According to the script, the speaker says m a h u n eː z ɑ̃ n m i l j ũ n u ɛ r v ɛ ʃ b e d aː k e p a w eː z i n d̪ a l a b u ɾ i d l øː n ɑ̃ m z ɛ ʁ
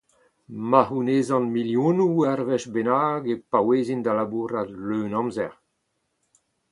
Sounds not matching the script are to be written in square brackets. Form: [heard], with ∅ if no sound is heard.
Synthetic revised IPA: m a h u n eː z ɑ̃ n m i l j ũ n u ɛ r v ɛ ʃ b e [n] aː [ɡ] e p a w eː z i n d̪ a l a b u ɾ [a] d l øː n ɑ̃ m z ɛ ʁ